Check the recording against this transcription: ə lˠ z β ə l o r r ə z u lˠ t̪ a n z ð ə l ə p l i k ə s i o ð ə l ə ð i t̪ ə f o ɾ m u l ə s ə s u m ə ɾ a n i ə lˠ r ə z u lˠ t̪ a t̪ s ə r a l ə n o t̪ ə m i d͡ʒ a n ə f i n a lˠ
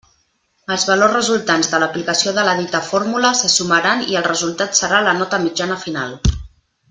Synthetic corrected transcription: ə lˠ z β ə l o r r ə z u lˠ t̪ a n z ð ə l ə p l i k ə s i o ð ə l ə ð i t̪ ə f o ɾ m u l ə s ə s u m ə ɾ a n i ə lˠ r ə z u lˠ t̪ a t̪ s ə ɾ a l ə n ɔ t̪ ə m i d͡ʒ a n ə f i n a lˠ